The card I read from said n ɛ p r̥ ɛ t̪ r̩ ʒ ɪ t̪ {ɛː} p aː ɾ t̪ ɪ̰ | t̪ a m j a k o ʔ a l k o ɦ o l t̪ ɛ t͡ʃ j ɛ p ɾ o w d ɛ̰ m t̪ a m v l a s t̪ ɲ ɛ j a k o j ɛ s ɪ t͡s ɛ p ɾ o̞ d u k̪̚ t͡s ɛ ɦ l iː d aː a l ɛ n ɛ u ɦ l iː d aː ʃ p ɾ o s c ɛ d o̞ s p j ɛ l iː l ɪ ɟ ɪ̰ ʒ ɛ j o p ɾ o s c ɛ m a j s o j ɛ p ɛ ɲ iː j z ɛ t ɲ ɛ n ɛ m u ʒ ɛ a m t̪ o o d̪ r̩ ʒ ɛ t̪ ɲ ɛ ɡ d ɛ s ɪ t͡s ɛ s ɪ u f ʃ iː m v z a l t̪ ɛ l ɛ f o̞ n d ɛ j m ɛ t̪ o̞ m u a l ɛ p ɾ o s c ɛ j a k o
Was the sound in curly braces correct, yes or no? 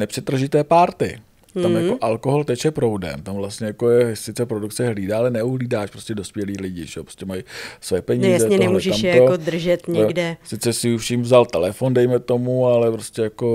yes